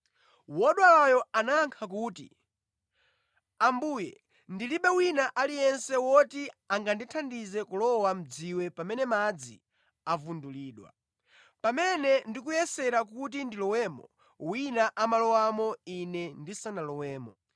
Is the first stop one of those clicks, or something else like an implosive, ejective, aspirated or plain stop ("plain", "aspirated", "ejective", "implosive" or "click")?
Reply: implosive